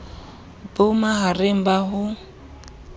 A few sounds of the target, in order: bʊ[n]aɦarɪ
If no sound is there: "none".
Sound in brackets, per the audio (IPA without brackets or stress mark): m